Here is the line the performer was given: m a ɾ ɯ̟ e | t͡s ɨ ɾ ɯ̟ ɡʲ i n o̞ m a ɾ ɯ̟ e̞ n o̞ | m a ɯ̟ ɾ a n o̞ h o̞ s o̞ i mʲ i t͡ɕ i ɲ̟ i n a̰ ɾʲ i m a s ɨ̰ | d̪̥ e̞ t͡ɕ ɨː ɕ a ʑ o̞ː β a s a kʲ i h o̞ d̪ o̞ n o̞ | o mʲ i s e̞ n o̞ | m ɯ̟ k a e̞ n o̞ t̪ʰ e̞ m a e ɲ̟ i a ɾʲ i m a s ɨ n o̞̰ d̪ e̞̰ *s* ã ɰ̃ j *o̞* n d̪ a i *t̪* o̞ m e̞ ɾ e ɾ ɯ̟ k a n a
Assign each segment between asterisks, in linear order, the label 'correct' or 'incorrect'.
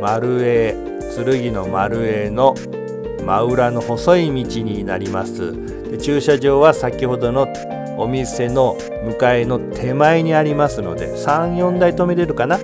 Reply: correct, incorrect, correct

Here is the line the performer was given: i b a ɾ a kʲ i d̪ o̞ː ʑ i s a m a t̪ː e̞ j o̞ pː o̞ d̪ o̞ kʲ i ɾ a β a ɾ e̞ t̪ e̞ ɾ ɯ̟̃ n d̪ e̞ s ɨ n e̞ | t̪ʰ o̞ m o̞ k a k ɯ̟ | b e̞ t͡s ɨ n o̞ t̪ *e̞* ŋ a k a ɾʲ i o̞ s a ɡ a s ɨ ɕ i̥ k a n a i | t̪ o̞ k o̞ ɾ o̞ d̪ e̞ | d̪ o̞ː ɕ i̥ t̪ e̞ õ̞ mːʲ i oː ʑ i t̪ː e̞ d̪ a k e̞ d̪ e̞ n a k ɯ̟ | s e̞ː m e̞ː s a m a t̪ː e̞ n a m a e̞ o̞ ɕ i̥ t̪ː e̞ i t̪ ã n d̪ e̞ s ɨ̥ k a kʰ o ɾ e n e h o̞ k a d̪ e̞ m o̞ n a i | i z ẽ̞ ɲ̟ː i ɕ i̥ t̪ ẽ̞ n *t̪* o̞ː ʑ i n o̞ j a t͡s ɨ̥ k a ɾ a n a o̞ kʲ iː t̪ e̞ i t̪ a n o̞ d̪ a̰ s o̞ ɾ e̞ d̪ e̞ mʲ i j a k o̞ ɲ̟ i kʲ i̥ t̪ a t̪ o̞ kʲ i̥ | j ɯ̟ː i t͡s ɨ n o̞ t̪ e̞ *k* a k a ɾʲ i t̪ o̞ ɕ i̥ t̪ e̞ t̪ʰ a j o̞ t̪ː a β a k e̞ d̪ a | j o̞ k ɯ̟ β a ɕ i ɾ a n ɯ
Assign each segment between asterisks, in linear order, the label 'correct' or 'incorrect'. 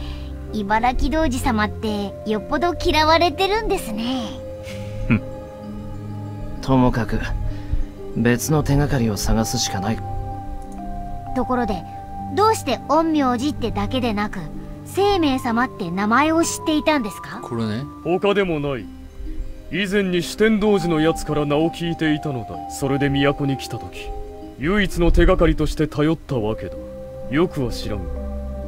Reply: correct, incorrect, incorrect

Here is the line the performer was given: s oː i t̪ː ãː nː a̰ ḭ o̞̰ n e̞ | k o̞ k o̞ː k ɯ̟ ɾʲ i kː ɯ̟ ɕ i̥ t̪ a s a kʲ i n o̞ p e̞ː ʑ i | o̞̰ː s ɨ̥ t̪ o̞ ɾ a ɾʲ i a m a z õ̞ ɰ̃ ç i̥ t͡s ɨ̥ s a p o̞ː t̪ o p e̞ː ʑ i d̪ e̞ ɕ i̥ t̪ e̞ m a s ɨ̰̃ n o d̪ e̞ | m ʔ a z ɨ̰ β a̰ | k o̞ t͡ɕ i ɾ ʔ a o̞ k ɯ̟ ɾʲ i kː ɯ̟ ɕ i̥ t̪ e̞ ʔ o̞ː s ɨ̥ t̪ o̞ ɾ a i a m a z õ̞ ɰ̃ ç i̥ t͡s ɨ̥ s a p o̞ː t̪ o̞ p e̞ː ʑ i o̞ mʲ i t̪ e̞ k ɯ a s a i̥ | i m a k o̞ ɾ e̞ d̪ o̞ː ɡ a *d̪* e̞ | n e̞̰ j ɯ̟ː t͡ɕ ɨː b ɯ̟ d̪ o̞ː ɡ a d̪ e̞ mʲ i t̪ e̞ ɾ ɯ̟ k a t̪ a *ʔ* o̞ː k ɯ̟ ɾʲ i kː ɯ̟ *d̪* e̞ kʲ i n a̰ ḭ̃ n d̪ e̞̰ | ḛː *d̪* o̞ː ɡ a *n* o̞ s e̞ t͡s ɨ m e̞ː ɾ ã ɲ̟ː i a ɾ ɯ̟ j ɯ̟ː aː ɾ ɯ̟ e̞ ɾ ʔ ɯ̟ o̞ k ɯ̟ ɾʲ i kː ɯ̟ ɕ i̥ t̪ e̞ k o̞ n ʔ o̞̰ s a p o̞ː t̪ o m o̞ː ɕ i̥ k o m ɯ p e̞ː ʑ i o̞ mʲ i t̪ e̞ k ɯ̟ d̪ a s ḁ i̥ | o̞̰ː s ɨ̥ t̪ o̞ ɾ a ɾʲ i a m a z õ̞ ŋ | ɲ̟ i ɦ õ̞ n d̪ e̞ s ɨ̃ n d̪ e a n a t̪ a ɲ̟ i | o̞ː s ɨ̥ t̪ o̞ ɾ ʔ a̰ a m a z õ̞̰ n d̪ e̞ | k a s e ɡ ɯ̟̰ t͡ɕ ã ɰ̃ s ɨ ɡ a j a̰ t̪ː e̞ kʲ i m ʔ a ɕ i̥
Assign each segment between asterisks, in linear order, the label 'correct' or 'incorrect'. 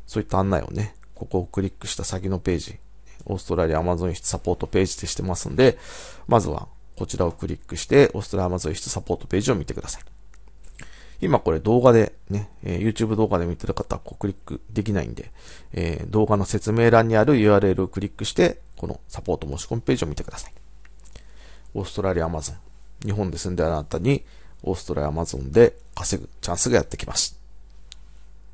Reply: correct, incorrect, correct, correct, correct

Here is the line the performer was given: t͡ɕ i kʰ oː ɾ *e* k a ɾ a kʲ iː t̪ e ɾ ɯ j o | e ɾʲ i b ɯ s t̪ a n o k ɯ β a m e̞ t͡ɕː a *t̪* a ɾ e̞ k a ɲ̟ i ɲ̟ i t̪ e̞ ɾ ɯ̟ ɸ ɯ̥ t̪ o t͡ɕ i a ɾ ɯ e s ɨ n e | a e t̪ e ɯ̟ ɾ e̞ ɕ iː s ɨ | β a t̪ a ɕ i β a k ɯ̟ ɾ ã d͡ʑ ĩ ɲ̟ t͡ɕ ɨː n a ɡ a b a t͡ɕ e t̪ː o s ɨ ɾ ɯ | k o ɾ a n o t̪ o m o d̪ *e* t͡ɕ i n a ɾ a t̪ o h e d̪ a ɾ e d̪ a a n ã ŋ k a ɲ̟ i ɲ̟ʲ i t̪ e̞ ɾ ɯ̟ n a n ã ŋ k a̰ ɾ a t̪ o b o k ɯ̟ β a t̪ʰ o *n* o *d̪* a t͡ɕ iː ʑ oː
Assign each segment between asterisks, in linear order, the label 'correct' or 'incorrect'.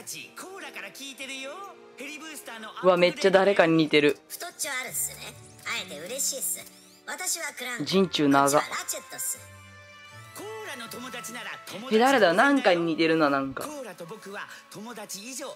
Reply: incorrect, incorrect, incorrect, incorrect, correct

